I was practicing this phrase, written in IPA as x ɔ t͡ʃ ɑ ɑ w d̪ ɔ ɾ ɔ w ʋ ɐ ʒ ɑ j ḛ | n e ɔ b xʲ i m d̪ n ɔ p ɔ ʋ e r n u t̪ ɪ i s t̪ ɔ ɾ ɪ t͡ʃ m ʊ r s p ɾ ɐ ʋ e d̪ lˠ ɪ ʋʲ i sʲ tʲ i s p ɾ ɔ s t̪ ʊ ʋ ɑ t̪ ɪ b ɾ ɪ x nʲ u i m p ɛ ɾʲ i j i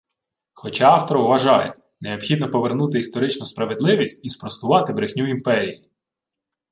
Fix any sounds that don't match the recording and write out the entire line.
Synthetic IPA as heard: x ɔ t͡ʃ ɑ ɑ w t̪ ɔ ɾ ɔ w ʋ ɐ ʒ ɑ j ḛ | n e ɔ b xʲ i d̪ n ɔ p ɔ ʋ e r n u t̪ ɪ i s t̪ ɔ ɾ ɪ t͡ʃ n ʊ s p ɾ ɐ ʋ e d̪ lˠ ɪ ʋʲ i sʲ tʲ i s p ɾ ɔ s t̪ ʊ ʋ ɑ t̪ ɪ b ɾ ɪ x nʲ u i m p ɛ ɾʲ i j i